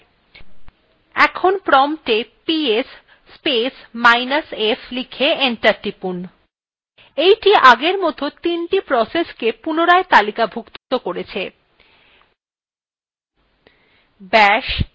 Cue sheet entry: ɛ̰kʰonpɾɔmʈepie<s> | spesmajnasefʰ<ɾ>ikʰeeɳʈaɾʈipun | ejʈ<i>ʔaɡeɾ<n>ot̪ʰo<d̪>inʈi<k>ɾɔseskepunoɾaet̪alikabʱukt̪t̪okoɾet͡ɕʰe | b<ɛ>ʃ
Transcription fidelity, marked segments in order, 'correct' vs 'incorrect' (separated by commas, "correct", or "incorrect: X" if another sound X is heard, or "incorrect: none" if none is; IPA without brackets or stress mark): correct, incorrect: l, correct, incorrect: m, incorrect: t̪, incorrect: p, correct